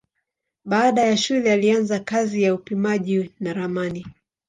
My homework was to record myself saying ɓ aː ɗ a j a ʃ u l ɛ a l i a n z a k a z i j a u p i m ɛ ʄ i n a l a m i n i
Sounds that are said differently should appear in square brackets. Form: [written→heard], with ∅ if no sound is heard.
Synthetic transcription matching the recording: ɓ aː ɗ a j a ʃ u l ɛ a l i a n z a k a z i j a u p i m [ɛ→a] ʄ i n a [l→ɾ] a m [i→a] n i